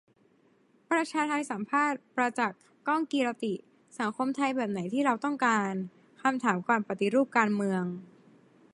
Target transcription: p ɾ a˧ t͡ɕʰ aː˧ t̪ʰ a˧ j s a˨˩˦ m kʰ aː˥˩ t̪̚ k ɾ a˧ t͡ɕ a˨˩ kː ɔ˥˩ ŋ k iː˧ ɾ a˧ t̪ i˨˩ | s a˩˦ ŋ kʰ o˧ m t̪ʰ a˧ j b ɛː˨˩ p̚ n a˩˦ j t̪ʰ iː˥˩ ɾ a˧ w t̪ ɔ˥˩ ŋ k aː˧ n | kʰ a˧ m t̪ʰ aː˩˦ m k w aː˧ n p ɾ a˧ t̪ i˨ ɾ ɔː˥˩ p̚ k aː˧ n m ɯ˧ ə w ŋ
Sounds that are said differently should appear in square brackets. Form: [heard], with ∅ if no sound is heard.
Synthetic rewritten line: p ɾ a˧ t͡ɕʰ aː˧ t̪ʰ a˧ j s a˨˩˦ m [pʰ] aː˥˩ t̪̚ [p] ɾ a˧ t͡ɕ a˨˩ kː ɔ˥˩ ŋ k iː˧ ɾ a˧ t̪ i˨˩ | s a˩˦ ŋ kʰ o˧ m t̪ʰ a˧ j b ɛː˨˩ p̚ n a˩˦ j t̪ʰ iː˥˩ ɾ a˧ w t̪ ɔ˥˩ ŋ k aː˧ n | kʰ a˧ m t̪ʰ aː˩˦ m k w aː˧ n p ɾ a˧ t̪ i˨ ɾ [uː˥˩] p̚ k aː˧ n m ɯ˧ ə [∅] ŋ